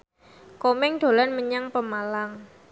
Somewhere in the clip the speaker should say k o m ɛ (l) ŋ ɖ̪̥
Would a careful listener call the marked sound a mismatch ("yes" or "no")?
yes